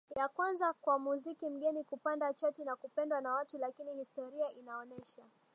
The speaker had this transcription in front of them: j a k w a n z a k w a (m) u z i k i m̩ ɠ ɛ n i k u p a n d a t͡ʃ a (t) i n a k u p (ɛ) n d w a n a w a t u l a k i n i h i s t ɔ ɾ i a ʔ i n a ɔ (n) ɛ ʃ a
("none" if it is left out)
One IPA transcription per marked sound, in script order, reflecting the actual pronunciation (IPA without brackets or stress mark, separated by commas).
m, t, ɛ, n